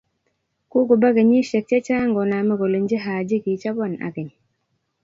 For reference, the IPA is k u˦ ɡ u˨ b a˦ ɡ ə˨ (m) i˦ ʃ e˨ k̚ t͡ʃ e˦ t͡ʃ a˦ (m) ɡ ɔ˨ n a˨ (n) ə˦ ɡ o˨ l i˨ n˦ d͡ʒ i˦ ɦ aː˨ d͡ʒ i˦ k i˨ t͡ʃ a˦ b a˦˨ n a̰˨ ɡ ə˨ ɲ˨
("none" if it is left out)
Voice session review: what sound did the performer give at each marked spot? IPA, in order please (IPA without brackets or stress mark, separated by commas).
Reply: ɲ, ŋ, m